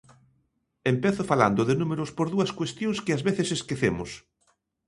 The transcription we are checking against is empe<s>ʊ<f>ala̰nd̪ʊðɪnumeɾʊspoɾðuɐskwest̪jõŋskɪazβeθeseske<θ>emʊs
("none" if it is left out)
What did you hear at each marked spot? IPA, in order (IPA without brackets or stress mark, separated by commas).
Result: θ, f, θ